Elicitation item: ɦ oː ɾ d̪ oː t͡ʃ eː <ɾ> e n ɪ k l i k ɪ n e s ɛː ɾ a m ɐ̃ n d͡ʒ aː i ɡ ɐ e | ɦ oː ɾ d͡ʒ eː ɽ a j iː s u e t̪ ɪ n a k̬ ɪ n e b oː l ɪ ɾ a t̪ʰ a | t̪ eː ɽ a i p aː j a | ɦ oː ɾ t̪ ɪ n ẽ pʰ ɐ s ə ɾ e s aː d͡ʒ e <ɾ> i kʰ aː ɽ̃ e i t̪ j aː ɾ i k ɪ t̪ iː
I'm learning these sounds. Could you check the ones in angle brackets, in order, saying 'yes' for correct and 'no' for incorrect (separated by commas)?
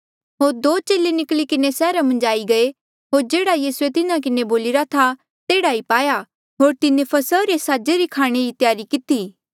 no, yes